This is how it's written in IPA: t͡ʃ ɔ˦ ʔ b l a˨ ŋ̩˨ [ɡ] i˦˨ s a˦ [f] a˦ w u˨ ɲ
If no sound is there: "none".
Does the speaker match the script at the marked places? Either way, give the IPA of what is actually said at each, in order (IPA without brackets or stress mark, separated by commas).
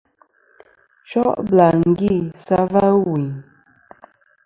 ɡ, v